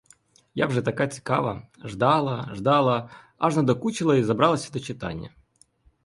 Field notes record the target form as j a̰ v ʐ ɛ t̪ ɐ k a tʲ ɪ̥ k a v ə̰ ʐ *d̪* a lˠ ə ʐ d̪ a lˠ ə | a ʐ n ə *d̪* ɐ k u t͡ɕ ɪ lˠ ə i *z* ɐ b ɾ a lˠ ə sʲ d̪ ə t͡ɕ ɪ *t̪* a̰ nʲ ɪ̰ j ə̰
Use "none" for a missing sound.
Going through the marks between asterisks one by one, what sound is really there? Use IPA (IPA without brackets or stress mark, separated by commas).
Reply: d̪, d̪, z, t̪